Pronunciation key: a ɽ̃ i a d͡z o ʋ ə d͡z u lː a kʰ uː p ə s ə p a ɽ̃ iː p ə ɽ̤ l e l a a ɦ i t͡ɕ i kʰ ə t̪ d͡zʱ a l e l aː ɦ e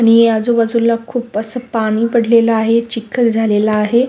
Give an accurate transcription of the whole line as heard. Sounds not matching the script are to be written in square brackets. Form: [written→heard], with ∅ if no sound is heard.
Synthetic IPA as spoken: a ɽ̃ i a d͡z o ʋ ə d͡z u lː a kʰ uː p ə s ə p a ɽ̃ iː p ə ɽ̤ l e l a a ɦ [i→e] t͡ɕ i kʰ ə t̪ d͡zʱ a l e l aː ɦ e

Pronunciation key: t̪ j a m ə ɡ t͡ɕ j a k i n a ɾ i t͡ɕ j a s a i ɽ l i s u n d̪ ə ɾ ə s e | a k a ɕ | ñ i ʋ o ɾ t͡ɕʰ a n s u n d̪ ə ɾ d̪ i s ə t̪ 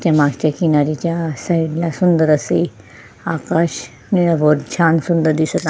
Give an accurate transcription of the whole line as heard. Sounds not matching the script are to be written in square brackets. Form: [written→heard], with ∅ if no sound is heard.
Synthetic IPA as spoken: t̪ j a m [ə→a] ɡ t͡ɕ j a k i n a ɾ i t͡ɕ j a s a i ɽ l [i→a] s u n d̪ ə ɾ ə s e | a k a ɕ | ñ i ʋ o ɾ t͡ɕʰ a n s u n d̪ ə ɾ d̪ i s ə t̪

